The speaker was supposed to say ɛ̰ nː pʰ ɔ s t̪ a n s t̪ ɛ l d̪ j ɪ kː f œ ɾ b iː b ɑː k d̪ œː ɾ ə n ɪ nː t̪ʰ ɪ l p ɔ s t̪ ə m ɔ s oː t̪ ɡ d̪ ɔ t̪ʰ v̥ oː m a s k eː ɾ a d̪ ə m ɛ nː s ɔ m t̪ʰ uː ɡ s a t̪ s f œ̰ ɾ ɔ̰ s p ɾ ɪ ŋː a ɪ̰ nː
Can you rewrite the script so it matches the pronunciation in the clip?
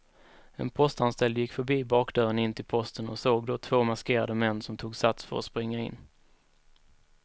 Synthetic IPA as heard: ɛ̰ n pʰ ɔ s t̪ a n s t̪ ɛ l d̪ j ɪ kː f œ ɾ b iː b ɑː k d̪ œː ɾ ə n ɪ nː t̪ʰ ɪ l pʰ ɔ s t̪ ə n ɔ s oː ɡ d̪ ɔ t̪ʰ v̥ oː m a s k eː ɾ a d̪ ə m ɛ nː s ɔ m t̪ʰ uː ɡ s a t̪ s f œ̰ ɾ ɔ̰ s p ɾ ɪ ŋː a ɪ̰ nː